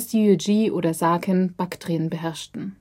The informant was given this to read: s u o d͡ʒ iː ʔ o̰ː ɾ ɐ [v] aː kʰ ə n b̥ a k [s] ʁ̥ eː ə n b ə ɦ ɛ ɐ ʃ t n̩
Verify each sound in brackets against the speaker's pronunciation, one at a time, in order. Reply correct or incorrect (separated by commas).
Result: incorrect, incorrect